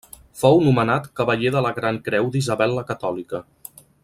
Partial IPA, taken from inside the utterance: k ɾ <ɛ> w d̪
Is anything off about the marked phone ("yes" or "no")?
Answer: no